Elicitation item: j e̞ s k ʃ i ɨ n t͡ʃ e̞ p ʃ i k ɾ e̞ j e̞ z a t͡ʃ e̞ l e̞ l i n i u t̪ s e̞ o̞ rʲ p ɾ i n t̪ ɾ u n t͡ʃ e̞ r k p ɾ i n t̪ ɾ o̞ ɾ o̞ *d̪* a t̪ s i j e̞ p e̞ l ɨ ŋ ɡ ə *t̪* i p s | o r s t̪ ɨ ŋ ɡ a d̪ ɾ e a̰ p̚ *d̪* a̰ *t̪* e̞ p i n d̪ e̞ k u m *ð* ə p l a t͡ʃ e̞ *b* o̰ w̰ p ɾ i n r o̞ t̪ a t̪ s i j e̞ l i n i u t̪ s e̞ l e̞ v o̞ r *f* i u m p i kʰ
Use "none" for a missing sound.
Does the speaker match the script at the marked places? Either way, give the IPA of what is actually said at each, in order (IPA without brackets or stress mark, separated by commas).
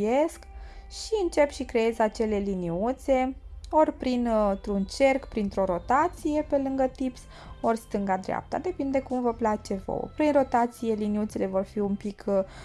t̪, t̪, t̪, d̪, v, v, f